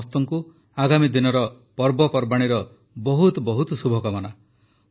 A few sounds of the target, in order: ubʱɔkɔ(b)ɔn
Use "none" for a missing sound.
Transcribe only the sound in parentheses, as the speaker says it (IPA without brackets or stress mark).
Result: m